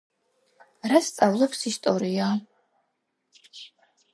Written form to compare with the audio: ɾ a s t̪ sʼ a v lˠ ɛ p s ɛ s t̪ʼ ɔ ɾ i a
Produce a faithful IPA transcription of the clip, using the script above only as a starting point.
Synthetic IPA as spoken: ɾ a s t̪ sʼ a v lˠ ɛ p s i s t̪ʼ ɔ ɾ i a